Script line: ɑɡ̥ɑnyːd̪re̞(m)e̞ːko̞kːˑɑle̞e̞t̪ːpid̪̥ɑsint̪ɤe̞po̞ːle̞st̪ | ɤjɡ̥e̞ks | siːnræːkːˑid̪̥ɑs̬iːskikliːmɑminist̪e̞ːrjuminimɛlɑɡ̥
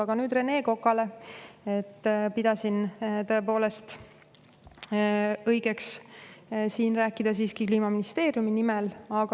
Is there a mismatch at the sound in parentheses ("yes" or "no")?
yes